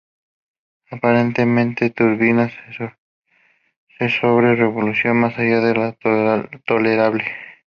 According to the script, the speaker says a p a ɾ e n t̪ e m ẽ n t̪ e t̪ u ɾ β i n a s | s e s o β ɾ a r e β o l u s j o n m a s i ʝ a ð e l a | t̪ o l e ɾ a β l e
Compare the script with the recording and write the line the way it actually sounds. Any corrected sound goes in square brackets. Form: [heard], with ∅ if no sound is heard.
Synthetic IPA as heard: a p a ɾ e n t̪ e m ẽ n t̪ e t̪ u ɾ β i n a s | s e s o β ɾ [e] r e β o l u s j o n m a s [a] ʝ a ð e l a | t̪ o l e ɾ a β l e